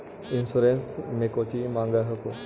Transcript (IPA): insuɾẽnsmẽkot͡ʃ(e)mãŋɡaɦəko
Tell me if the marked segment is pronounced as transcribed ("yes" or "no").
no